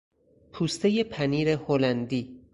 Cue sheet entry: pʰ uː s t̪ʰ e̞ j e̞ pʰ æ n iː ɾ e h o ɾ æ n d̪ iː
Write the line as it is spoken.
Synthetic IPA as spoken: pʰ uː s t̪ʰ e̞ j e̞ pʰ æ n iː ɾ e h o l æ n d̪ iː